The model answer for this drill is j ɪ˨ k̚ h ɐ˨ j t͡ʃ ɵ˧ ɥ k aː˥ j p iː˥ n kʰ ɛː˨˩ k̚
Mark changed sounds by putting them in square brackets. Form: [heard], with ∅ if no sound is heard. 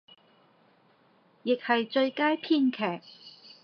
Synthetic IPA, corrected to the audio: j ɪ˨ k̚ h ɐ˨ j t͡ʃ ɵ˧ ɥ k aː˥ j [pʰ] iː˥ n kʰ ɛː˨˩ k̚